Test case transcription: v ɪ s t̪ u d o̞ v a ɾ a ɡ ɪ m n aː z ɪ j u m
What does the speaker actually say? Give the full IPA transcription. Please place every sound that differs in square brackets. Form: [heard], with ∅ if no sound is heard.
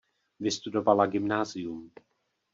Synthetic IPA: v ɪ s t̪ u d o̞ v a [l] a ɡ ɪ m n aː z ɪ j u m